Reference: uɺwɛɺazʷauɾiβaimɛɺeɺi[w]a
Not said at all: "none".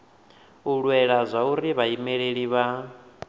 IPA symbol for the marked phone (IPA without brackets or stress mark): β